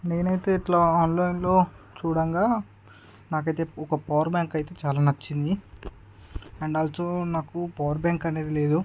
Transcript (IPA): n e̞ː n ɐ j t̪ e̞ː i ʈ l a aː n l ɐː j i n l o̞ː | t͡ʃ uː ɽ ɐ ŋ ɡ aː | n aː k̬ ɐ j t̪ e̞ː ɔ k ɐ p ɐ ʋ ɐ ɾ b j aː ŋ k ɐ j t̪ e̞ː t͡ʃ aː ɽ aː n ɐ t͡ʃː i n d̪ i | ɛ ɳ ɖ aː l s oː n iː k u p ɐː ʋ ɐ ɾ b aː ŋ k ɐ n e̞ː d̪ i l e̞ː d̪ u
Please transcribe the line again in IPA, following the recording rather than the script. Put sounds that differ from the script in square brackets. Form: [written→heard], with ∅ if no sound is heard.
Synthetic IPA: n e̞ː n ɐ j t̪ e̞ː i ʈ l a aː n l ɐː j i n l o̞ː | t͡ʃ uː ɽ ɐ ŋ ɡ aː | n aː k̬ ɐ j t̪ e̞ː ɔ k ɐ p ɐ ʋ ɐ ɾ b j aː ŋ k ɐ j t̪ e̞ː t͡ʃ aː [ɽ→l] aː n ɐ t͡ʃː i n d̪ i | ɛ ɳ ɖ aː l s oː n [iː→aː] k u p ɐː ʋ ɐ ɾ b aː ŋ k ɐ n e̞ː d̪ i l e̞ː d̪ u

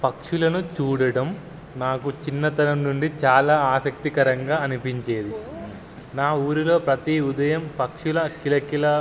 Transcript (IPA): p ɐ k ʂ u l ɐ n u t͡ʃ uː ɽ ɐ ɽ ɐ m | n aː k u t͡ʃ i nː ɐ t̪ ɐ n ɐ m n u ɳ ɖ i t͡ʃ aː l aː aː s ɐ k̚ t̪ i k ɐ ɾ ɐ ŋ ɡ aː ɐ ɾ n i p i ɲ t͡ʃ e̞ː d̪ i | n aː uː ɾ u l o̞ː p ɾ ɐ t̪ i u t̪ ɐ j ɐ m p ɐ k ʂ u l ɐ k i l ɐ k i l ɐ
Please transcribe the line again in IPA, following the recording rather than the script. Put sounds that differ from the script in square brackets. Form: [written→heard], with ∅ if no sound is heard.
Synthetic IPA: p ɐ k ʂ u l ɐ n u t͡ʃ uː ɽ ɐ ɽ ɐ m | n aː k u t͡ʃ i nː ɐ t̪ ɐ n ɐ m n u ɳ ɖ i t͡ʃ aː l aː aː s ɐ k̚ t̪ i k ɐ ɾ ɐ ŋ ɡ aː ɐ [ɾ→∅] n i p i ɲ t͡ʃ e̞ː d̪ i | n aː uː ɾ u l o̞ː p ɾ ɐ t̪ i u [t̪→d̪] ɐ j ɐ m p ɐ k ʂ u l ɐ k i l ɐ k i l ɐ

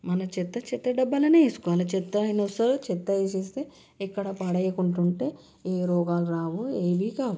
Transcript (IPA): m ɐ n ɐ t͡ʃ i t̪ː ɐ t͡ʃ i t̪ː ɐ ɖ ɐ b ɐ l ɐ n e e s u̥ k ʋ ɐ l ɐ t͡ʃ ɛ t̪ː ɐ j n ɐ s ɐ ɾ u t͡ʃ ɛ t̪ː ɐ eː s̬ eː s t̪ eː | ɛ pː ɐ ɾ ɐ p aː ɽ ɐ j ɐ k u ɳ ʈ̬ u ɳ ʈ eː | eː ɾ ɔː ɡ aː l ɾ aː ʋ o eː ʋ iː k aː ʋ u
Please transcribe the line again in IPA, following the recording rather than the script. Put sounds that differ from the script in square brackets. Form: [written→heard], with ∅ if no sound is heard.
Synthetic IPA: m ɐ n ɐ t͡ʃ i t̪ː ɐ t͡ʃ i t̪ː ɐ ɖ ɐ [b→bː] ɐ l ɐ n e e s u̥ k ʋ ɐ l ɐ t͡ʃ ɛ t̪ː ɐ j n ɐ s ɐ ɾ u t͡ʃ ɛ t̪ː ɐ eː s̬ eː s t̪ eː | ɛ [pː→kː] ɐ [ɾ→ɽ] ɐ p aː ɽ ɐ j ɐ k u ɳ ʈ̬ u ɳ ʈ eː | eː ɾ ɔː ɡ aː l ɾ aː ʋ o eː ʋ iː k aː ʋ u

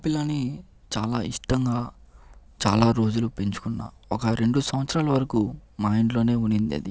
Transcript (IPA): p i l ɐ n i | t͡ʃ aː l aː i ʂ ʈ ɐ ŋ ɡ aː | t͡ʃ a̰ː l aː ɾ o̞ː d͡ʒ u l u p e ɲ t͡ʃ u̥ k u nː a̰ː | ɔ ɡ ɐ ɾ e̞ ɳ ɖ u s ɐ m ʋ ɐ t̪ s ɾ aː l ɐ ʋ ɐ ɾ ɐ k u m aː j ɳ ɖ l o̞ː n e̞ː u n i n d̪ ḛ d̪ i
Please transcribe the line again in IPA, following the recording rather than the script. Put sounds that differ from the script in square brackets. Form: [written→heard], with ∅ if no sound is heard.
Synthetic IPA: p i l ɐ n i | t͡ʃ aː l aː i ʂ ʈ ɐ ŋ ɡ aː | t͡ʃ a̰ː l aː ɾ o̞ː d͡ʒ u l u p e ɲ t͡ʃ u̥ k u nː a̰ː | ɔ [ɡ→k] ɐ ɾ e̞ ɳ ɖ u s ɐ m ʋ ɐ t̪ s ɾ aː l ɐ ʋ ɐ ɾ ɐ k u m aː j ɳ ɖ l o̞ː n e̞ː u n i n d̪ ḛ d̪ i

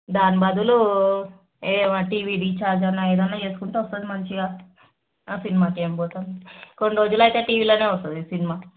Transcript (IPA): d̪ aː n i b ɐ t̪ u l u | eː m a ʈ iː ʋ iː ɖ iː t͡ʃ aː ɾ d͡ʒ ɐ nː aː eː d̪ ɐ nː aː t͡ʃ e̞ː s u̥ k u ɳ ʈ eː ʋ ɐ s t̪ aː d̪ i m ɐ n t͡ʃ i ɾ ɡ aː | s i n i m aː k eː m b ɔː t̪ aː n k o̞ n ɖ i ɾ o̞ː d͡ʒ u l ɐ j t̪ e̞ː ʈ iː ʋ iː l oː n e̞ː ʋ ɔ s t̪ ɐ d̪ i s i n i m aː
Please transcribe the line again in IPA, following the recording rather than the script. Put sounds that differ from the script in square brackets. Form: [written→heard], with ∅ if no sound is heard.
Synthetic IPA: d̪ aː n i b ɐ [t̪→d̪] u l u | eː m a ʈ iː ʋ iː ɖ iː t͡ʃ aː ɾ d͡ʒ ɐ nː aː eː d̪ ɐ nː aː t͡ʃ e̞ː s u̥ k u ɳ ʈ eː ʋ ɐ s t̪ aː d̪ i m ɐ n t͡ʃ i [ɾ→∅] ɡ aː | s i n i m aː k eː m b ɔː t̪ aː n k o̞ n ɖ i ɾ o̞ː d͡ʒ u l ɐ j t̪ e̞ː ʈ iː ʋ iː l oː n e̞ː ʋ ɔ s t̪ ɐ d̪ i s i n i m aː

